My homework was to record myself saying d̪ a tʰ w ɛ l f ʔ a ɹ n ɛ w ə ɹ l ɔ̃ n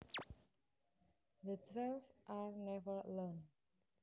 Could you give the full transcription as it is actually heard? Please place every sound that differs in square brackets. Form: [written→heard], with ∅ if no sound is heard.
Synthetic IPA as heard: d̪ [a→ə] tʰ w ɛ l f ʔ a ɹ n ɛ [w→v] ə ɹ l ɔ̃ n